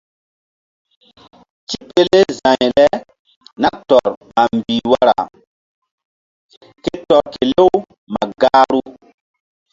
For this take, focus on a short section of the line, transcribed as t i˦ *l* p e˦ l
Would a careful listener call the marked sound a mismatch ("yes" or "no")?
yes